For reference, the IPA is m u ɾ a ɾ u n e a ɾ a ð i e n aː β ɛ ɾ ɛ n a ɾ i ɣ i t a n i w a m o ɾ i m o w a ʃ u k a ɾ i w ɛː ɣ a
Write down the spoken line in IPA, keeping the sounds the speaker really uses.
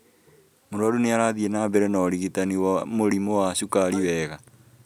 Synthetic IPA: m o ɾ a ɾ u n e a ɾ a ð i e n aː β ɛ ɾ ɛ n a ɾ i ɣ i t a n i w a m o ɾ i m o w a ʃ u k a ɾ i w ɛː ɣ a